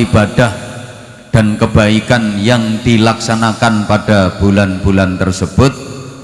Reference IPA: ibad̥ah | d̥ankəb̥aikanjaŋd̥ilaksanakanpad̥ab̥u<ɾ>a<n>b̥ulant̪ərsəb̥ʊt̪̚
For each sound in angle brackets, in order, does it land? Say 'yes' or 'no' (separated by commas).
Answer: no, yes